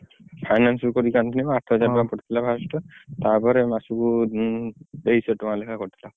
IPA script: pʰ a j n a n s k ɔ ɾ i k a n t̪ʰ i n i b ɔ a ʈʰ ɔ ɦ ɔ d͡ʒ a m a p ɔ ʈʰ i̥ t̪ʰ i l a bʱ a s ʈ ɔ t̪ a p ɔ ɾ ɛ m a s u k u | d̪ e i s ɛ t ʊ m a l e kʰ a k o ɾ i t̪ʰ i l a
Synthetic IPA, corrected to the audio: pʰ a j n a n s k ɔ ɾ i k a n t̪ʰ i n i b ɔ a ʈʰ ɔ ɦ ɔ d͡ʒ a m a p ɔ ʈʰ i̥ t̪ʰ i l a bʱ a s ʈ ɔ t̪ a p ɔ ɾ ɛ m a s u k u | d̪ e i s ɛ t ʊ m a l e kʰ a k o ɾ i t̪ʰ i l a